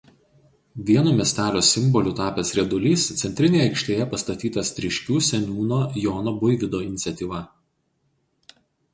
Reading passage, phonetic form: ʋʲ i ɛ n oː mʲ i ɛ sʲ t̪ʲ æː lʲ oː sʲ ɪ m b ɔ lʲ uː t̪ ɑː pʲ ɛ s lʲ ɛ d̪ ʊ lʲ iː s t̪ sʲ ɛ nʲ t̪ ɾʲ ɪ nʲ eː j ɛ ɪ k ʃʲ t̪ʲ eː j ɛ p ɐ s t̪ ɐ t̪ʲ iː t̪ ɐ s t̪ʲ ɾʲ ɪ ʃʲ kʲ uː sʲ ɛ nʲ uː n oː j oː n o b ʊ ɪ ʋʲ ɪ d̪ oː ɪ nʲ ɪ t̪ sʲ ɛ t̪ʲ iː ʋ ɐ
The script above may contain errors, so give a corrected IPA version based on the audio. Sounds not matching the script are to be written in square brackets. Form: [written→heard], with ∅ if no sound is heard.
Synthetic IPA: ʋʲ i ɛ n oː mʲ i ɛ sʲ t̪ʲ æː lʲ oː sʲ ɪ m b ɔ lʲ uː t̪ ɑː pʲ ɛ s [lʲ→ɾʲ] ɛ d̪ ʊ lʲ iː s t̪ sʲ ɛ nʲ t̪ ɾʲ ɪ nʲ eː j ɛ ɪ k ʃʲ t̪ʲ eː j ɛ p ɐ s t̪ ɐ t̪ʲ iː t̪ ɐ s t̪ʲ ɾʲ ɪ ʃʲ kʲ uː sʲ ɛ nʲ uː n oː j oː n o b ʊ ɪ ʋʲ ɪ d̪ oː ɪ nʲ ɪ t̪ sʲ ɛ t̪ʲ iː ʋ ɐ